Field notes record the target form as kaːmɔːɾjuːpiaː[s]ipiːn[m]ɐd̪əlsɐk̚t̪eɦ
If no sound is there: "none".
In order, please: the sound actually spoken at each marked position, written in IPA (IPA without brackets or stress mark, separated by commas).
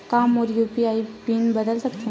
none, b